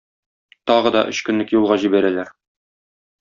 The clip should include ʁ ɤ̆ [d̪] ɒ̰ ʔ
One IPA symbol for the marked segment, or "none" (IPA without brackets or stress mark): d̪